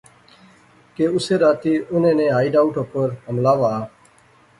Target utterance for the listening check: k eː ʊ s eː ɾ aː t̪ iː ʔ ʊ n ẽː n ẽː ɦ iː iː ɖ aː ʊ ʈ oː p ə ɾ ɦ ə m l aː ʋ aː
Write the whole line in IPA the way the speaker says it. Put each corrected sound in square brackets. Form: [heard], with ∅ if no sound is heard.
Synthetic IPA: k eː ʊ s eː ɾ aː t̪ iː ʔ ʊ n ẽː n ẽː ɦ [aː] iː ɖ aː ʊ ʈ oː p ə ɾ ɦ ə m l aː ʋ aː

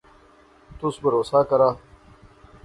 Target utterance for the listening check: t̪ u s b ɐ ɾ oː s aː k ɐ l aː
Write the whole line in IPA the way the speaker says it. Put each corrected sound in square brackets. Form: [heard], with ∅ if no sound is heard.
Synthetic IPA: t̪ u s b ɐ ɾ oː s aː k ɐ [ɾ] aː

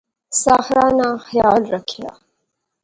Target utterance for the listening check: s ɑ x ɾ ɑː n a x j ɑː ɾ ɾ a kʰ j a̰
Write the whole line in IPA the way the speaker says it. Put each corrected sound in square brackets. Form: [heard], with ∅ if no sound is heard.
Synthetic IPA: s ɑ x ɾ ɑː n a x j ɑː [l] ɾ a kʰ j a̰

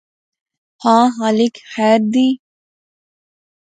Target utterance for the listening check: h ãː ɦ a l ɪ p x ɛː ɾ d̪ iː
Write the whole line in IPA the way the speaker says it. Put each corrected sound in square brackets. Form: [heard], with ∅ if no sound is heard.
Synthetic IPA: h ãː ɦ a l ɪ [k] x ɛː ɾ d̪ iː

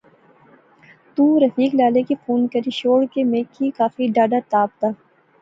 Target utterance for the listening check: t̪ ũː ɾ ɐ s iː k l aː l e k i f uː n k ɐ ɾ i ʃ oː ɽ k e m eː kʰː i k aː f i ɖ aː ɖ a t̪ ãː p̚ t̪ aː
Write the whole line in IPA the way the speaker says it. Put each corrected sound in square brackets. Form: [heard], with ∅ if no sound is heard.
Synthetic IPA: t̪ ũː ɾ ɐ [f] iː k l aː l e k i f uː n k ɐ ɾ i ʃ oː ɽ k e m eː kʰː i k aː f i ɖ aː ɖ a t̪ [aː] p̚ t̪ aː

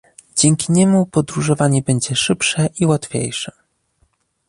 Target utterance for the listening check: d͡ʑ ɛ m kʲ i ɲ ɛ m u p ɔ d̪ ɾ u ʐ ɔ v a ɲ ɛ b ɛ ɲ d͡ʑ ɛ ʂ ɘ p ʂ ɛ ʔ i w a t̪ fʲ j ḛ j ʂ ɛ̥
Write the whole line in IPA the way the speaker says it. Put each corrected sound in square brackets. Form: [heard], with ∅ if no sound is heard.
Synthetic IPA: d͡ʑ ɛ [ŋ] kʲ i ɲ ɛ m u p ɔ d̪ ɾ u ʐ ɔ v a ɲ ɛ b ɛ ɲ d͡ʑ ɛ ʂ ɘ p ʂ ɛ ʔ i w a t̪ fʲ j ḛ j ʂ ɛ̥

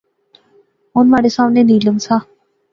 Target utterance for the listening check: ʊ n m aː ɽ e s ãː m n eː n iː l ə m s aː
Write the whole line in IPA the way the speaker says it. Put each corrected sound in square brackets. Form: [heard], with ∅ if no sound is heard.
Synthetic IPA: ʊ n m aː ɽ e s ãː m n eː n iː l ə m s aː

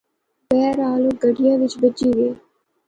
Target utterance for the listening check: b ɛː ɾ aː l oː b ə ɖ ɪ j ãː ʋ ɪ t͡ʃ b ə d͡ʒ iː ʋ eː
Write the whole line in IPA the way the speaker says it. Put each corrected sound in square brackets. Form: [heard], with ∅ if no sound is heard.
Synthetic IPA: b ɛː ɾ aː l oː [ɡ] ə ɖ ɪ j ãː ʋ ɪ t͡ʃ b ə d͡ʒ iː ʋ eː

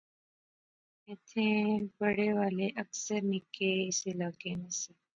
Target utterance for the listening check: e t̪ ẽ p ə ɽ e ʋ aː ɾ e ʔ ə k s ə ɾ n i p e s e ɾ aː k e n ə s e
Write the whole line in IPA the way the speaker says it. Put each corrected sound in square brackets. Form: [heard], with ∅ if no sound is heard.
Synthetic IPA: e [t̪ʰ] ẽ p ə ɽ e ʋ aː [l] e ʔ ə k s ə ɾ n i [k] e s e [l] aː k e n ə s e

